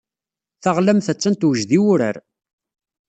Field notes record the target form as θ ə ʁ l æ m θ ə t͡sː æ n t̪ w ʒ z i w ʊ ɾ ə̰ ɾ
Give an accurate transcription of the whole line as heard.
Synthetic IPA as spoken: θ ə ʁ l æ m θ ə t͡sː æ n t̪ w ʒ ð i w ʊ ɾ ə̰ ɾ